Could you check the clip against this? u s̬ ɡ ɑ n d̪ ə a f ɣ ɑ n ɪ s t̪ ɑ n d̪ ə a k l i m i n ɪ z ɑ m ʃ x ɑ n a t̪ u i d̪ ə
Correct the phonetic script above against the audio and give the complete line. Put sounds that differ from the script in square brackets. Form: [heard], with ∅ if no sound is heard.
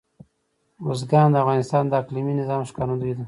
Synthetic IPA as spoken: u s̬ ɡ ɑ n d̪ ə a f ɣ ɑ n ɪ s t̪ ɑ n d̪ ə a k l i m i n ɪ z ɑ m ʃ [k] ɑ n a [d̪] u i d̪ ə